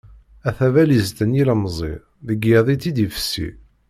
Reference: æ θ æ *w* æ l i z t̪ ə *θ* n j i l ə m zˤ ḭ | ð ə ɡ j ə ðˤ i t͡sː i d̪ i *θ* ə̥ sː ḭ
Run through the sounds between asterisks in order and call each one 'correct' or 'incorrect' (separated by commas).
incorrect, incorrect, incorrect